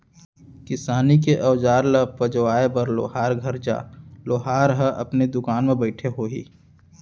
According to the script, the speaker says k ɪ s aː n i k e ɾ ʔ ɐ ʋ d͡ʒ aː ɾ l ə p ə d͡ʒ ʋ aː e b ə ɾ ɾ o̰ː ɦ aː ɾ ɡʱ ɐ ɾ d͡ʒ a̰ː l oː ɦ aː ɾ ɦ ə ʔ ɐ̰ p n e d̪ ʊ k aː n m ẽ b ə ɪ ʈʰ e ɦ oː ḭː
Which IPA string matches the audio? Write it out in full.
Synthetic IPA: k ɪ s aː n i k e ʔ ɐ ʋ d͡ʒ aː ɾ l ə p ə d͡ʒ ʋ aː e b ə ɾ l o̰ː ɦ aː ɾ ɡʱ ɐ ɾ d͡ʒ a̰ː l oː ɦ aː ɾ ɦ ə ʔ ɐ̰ p n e d̪ ʊ k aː n m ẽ b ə ɪ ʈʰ e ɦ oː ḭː